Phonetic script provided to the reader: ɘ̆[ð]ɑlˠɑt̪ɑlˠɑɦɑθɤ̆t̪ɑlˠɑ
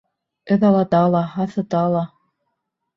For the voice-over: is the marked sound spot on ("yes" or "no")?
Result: yes